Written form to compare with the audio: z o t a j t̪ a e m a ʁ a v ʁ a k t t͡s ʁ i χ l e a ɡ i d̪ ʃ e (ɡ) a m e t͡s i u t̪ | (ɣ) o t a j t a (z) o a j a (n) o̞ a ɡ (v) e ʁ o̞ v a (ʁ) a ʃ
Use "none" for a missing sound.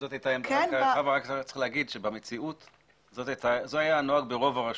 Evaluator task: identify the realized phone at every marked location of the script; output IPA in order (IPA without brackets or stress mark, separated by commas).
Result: b, z, z, n, b, ʁ